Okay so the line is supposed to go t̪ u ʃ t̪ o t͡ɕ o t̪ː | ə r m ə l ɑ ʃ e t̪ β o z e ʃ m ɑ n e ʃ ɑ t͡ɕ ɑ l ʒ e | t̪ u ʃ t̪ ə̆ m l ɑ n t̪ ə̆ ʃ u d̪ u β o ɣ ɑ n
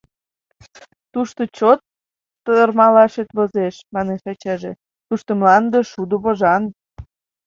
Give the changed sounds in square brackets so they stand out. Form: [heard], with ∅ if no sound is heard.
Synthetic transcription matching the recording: t̪ u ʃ t̪ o t͡ɕ o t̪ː | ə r m [ɑ] l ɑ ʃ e t̪ β o z e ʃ m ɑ n e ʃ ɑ t͡ɕ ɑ [∅] ʒ e | t̪ u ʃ t̪ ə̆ m l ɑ n [d̪] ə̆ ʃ u d̪ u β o [ʒ] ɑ n